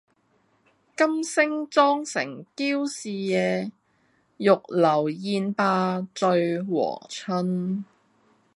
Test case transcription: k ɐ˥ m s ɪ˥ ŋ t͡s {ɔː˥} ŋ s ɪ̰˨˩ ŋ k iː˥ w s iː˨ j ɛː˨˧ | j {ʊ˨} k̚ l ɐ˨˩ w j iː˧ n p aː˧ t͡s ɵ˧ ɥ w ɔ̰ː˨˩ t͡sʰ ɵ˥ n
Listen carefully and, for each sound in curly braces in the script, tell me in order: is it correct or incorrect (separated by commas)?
correct, correct